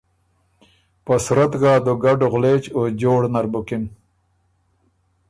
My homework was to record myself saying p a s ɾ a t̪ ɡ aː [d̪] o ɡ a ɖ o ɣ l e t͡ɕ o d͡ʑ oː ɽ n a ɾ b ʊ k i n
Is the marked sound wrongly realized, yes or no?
no